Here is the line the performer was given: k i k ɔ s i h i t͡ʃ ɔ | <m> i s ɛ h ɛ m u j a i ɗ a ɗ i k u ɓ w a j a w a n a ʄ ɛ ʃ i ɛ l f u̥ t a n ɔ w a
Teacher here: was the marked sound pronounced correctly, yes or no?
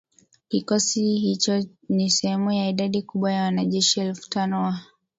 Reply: no